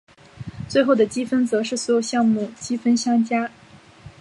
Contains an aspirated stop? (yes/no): no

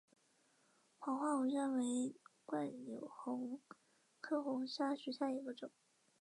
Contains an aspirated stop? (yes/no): yes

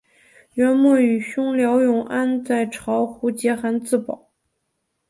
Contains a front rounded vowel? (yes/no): yes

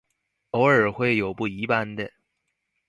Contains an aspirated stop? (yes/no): no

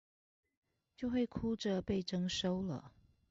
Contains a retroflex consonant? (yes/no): yes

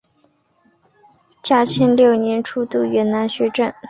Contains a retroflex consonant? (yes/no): yes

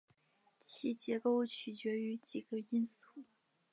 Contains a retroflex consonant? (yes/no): no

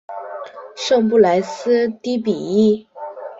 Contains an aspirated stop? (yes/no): no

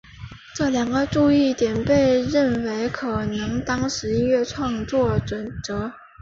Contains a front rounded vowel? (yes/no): no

